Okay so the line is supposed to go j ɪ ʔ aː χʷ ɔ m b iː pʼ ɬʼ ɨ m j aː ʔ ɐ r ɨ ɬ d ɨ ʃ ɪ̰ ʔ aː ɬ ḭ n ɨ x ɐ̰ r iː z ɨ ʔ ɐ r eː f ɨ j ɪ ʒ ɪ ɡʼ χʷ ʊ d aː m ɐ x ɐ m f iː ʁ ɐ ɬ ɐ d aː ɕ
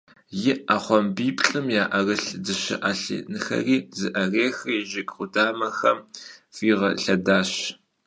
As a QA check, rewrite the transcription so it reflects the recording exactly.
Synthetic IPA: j ɪ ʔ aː χʷ ɔ m b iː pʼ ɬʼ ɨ m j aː ʔ ɐ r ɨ ɬ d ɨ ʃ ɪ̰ ʔ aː ɬ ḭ n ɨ x ɐ̰ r iː z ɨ ʔ ɐ r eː x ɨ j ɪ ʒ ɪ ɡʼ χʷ ʊ d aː m ɐ x ɐ m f iː ʁ ɐ ɬ ɐ d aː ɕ